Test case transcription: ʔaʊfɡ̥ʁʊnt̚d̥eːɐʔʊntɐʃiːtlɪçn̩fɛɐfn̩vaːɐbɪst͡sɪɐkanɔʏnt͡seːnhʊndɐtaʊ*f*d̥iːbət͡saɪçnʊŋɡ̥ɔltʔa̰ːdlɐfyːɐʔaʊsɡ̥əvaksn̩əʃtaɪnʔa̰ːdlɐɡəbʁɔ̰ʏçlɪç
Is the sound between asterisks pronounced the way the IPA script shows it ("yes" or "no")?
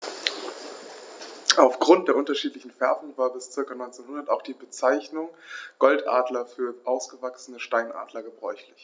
no